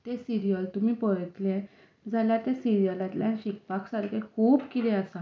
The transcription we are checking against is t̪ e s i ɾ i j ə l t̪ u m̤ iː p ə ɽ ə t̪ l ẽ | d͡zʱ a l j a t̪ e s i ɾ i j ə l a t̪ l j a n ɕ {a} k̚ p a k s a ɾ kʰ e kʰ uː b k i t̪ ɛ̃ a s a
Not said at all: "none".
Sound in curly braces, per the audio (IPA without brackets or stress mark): i